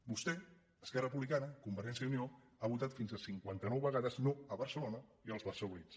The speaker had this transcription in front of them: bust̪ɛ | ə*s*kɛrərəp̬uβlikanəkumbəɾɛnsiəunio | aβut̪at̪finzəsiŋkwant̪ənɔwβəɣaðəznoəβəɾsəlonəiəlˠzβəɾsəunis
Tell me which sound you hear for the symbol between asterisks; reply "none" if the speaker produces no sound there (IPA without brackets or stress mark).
s